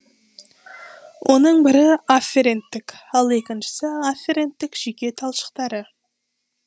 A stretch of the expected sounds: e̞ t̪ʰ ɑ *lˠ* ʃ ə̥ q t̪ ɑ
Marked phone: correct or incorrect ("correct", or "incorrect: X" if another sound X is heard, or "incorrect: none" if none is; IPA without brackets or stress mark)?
correct